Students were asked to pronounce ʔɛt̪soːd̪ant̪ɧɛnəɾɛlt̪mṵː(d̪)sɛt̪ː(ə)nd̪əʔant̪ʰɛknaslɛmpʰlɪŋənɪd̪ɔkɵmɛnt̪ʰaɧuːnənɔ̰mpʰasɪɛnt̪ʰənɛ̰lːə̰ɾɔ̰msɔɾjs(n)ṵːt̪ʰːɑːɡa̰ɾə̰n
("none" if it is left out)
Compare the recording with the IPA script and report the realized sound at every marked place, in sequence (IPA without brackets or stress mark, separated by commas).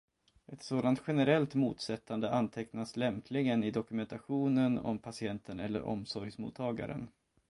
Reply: t̪, a, m